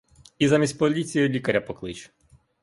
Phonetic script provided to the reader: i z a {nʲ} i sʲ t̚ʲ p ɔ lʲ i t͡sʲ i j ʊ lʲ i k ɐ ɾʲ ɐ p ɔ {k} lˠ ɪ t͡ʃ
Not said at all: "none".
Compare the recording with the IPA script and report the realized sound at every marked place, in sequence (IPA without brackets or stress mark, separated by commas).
mʲ, k